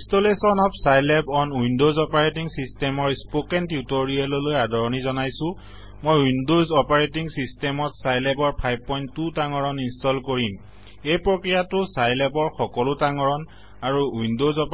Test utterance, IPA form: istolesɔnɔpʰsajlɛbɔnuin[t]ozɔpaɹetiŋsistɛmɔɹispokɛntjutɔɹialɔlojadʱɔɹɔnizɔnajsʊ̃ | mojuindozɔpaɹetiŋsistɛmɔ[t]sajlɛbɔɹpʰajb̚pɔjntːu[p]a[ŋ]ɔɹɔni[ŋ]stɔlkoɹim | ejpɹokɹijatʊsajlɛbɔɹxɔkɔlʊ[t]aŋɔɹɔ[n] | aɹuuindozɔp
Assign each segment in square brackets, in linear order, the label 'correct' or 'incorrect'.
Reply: incorrect, correct, incorrect, correct, incorrect, correct, correct

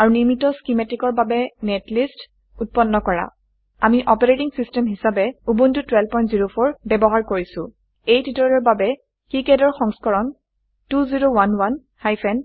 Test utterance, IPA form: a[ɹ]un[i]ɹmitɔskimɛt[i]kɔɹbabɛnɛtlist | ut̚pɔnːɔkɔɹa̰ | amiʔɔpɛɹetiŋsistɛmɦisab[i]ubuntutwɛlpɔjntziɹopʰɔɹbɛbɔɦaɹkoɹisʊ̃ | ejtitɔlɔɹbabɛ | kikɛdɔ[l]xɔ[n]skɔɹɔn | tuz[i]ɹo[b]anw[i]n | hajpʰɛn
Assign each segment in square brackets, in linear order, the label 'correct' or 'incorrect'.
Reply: correct, correct, correct, incorrect, incorrect, incorrect, correct, incorrect, incorrect

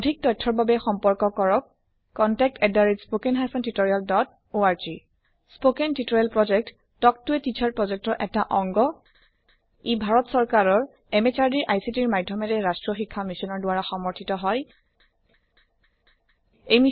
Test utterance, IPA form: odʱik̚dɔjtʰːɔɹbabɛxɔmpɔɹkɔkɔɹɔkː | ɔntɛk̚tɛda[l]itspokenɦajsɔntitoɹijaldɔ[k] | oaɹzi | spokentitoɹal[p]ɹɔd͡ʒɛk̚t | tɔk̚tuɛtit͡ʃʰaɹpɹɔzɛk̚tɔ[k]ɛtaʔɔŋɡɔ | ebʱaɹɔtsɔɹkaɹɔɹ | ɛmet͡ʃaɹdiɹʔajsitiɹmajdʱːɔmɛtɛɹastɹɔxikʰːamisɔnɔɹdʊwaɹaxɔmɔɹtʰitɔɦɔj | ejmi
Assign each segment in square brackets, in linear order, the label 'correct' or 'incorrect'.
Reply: incorrect, incorrect, correct, incorrect

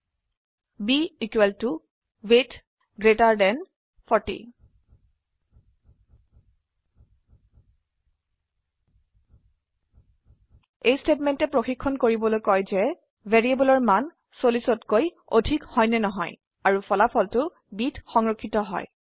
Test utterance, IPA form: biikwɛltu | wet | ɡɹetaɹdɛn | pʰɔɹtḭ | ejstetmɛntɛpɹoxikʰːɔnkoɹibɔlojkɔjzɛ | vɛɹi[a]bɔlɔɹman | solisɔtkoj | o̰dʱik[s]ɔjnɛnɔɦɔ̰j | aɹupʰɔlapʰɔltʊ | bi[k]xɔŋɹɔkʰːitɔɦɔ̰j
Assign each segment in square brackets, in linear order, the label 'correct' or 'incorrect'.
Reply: incorrect, incorrect, incorrect

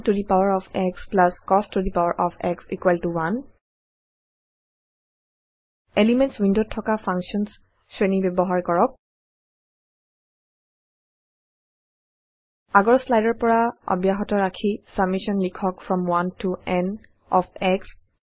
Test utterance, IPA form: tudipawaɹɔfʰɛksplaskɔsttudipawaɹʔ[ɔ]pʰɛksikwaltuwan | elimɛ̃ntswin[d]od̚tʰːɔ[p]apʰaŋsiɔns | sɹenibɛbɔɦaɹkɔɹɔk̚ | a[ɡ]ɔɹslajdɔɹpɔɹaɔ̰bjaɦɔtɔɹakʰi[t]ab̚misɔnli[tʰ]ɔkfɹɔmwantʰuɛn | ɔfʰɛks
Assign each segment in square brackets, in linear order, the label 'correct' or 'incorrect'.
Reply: correct, correct, incorrect, correct, incorrect, incorrect

